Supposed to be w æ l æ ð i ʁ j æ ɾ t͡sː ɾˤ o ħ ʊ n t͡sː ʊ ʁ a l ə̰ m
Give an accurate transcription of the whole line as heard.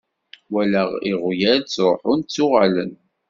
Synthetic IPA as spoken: w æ l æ ʁ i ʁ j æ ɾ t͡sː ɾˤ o ħ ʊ n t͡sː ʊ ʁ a l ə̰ n